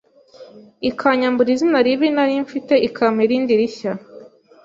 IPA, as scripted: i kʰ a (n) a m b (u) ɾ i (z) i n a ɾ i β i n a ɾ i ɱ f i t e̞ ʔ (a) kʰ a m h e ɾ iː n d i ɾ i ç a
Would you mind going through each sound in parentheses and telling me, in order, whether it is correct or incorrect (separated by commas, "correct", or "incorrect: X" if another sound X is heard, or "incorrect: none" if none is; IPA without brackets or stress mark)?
incorrect: ɲ, correct, correct, incorrect: i